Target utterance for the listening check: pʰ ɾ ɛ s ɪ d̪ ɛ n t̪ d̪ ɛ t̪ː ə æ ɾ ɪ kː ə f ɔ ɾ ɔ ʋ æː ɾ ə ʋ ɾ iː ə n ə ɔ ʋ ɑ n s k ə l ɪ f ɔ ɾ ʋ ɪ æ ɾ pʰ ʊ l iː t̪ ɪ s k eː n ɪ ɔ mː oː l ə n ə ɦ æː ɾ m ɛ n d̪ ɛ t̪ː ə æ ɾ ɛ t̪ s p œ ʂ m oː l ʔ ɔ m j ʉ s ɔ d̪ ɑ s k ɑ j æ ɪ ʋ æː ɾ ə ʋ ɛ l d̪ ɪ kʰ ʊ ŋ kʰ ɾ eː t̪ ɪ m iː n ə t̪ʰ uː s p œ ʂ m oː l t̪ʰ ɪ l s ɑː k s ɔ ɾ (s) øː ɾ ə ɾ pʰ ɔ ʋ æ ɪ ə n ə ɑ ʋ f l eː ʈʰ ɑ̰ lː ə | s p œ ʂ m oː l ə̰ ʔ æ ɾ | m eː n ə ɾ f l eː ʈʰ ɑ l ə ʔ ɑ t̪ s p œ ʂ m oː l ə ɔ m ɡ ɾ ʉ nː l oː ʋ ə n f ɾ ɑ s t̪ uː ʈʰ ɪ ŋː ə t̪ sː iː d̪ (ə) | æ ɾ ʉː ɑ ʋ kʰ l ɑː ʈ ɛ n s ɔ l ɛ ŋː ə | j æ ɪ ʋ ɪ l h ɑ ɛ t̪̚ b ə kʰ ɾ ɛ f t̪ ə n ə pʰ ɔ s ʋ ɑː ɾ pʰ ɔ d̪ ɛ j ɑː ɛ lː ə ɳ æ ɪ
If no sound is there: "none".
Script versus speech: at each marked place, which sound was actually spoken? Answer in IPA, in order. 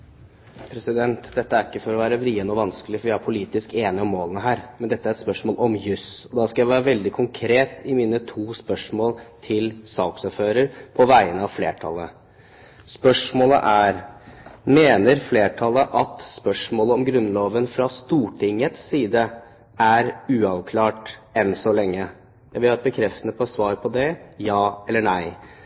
f, ə

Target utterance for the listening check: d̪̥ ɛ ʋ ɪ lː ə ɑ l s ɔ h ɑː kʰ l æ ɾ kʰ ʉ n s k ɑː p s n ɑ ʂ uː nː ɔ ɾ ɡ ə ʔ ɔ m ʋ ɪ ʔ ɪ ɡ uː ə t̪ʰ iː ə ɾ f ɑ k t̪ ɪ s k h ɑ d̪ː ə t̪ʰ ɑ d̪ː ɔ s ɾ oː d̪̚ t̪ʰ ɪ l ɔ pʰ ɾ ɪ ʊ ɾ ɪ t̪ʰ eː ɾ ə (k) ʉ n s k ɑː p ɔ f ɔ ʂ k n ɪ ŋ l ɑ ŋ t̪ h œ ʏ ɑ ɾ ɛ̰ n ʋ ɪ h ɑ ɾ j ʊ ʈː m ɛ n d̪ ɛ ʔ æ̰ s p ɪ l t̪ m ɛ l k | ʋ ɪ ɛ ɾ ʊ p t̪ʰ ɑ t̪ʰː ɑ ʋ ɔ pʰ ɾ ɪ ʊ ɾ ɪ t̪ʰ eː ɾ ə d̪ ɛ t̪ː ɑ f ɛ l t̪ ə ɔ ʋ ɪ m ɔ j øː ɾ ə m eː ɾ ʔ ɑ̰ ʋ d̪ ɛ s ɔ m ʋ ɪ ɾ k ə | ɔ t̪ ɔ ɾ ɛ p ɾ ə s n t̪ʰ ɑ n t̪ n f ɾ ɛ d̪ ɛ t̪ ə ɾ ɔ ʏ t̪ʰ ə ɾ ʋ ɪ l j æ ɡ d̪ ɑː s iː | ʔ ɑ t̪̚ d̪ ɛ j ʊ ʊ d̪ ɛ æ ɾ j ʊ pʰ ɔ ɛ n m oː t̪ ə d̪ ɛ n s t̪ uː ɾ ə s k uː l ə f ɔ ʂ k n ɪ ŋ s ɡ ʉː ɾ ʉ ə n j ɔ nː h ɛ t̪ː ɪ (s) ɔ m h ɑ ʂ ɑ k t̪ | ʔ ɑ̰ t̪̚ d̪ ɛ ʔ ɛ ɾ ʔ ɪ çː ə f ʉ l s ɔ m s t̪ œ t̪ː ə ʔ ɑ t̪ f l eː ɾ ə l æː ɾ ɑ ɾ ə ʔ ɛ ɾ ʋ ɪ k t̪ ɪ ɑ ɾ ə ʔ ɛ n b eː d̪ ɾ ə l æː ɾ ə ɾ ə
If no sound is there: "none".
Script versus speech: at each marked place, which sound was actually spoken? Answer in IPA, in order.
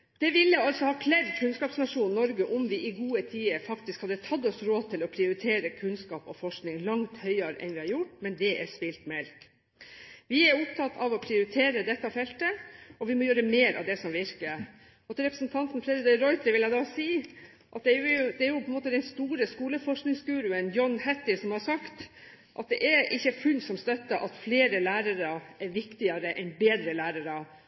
kʰ, s

